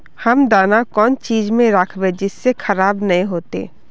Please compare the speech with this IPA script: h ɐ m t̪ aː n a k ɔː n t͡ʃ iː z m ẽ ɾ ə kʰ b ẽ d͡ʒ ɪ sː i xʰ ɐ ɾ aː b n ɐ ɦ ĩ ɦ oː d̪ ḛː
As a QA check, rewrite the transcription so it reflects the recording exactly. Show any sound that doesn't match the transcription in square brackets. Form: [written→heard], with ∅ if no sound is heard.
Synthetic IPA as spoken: h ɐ m [t̪→d̪] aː n a k ɔː n t͡ʃ iː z m ẽ ɾ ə kʰ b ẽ d͡ʒ ɪ sː [i→e] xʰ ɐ ɾ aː b n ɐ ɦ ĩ ɦ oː [d̪→t̪] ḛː